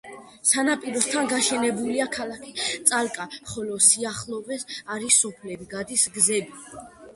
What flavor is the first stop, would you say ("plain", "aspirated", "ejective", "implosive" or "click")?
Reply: ejective